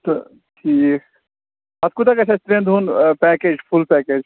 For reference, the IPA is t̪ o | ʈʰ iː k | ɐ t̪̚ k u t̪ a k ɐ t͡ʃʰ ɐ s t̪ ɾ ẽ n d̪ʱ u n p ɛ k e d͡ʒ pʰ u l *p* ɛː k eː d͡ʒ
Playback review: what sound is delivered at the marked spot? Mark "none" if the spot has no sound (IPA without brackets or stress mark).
p